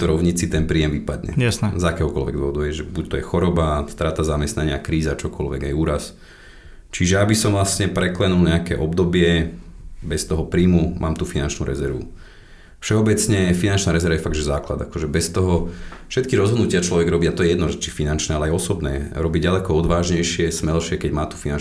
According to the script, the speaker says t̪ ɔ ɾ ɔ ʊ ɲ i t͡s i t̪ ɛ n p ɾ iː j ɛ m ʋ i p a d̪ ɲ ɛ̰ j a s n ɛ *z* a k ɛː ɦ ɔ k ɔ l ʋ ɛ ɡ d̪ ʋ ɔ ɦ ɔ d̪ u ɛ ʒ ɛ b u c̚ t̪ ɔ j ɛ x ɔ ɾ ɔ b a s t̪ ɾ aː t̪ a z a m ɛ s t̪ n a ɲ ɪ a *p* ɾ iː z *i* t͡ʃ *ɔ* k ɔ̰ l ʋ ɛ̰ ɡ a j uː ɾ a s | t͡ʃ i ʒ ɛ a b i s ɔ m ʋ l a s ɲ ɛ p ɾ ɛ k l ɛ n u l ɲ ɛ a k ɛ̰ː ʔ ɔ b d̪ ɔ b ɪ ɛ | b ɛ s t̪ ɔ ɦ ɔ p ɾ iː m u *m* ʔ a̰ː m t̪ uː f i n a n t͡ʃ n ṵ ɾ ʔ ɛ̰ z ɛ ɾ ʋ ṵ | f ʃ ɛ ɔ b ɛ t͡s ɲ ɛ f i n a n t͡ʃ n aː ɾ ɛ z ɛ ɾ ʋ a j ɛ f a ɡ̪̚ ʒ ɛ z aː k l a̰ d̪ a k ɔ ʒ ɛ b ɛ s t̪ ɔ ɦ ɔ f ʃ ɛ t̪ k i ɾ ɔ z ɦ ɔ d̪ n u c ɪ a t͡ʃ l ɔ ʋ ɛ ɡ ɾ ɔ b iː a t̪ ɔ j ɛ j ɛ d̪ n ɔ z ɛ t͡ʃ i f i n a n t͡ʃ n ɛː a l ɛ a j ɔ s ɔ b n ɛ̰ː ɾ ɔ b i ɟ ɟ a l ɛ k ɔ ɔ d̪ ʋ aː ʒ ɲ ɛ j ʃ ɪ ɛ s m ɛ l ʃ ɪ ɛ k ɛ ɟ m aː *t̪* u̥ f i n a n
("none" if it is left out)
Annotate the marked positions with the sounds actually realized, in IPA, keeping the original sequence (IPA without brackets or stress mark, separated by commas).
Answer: z, k, a, ɔ, m, t̪